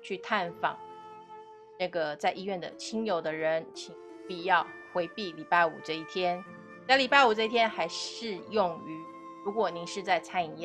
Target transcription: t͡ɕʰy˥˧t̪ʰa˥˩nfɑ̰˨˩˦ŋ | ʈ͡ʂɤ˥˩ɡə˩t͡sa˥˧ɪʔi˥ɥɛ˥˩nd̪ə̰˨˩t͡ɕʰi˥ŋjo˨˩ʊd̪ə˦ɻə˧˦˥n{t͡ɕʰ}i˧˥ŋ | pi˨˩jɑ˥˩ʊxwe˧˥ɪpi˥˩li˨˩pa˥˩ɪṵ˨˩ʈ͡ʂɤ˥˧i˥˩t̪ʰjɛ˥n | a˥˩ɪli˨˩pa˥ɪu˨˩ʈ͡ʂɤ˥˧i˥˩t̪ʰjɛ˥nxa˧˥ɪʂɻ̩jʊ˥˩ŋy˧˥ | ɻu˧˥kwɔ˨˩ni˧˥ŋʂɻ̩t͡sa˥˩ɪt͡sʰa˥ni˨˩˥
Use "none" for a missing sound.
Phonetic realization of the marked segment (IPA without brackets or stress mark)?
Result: t͡ɕʰ